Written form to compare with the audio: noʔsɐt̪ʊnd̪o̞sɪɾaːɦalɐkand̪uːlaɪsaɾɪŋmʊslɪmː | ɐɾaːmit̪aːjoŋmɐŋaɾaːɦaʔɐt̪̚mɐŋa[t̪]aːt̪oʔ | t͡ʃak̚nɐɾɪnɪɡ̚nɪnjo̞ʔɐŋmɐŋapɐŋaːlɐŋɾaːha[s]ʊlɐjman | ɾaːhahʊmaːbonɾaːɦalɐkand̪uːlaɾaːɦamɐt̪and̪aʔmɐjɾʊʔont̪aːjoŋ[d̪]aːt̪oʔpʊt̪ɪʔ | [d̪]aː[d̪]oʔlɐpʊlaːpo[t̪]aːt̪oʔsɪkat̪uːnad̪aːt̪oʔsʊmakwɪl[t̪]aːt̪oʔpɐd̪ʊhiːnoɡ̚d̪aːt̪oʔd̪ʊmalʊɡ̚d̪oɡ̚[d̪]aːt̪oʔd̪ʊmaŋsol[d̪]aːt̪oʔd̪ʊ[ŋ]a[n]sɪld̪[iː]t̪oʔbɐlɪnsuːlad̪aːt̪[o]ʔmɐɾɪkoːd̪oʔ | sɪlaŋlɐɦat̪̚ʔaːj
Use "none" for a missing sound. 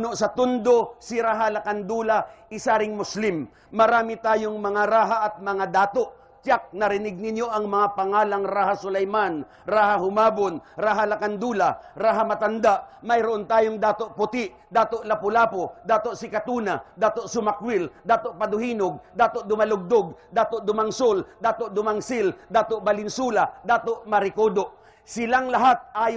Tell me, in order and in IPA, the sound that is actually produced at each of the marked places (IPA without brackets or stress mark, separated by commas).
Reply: d̪, s, d̪, d̪, t̪, d̪, d̪, d̪, d̪, m, ŋ, aː, o